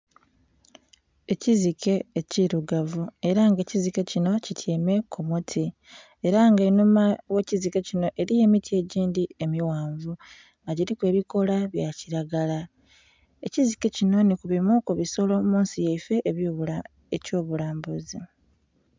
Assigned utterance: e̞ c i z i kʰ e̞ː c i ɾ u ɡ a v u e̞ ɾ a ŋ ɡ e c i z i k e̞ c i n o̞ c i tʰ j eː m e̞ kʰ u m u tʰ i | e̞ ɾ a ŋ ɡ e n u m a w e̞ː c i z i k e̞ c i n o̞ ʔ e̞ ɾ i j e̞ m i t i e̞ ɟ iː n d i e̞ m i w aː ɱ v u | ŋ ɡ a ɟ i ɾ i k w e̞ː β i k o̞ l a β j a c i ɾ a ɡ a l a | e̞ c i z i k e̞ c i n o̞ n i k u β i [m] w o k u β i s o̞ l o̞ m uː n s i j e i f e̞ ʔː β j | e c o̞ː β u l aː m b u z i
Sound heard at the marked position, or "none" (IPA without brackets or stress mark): m